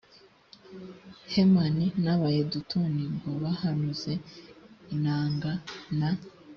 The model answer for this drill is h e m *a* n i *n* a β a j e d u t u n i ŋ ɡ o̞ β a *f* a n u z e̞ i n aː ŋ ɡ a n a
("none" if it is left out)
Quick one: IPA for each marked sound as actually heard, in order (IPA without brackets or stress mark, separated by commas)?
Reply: a, n, h